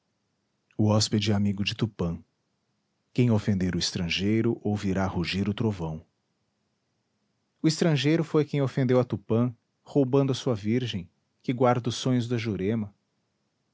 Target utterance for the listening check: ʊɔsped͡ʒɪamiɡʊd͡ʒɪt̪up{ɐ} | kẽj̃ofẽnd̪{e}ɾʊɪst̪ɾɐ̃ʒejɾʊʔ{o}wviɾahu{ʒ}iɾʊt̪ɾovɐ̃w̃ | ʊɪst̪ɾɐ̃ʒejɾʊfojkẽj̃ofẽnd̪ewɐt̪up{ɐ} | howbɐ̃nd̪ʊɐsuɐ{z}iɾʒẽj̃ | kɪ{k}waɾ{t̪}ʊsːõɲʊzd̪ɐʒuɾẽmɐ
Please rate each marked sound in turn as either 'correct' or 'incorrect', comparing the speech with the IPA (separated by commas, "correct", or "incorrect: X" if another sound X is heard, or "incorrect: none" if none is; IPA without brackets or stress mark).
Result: incorrect: ɐ̃, correct, correct, correct, incorrect: ɐ̃, incorrect: v, incorrect: ɡ, incorrect: d̪